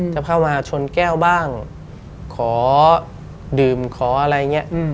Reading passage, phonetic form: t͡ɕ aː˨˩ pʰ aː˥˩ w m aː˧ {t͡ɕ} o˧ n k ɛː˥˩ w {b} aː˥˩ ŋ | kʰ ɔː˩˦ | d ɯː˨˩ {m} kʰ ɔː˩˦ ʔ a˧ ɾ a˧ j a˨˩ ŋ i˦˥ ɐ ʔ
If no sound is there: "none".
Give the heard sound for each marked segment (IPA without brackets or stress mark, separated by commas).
t͡ɕʰ, b, m